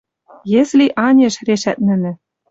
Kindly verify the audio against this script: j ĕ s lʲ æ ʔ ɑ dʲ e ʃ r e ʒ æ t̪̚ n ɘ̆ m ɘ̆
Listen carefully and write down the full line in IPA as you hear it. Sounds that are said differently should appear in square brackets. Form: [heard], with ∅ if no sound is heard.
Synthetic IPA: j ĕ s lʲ [i] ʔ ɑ [nʲ] e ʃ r e [ʃ] æ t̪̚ n ɘ̆ [n] ɘ̆